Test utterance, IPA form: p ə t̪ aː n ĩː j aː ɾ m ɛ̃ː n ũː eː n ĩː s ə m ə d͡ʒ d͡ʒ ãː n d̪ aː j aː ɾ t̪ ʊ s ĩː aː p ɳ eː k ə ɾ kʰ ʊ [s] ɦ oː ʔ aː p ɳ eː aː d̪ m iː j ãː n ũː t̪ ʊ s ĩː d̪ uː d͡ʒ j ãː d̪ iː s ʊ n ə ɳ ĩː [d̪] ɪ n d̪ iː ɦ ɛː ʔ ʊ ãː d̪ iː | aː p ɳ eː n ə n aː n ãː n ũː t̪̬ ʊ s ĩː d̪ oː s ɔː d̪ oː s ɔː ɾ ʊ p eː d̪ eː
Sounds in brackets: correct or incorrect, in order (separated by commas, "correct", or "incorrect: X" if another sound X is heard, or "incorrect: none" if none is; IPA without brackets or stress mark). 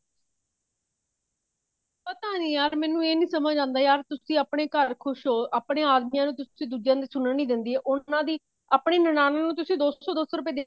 incorrect: ʃ, correct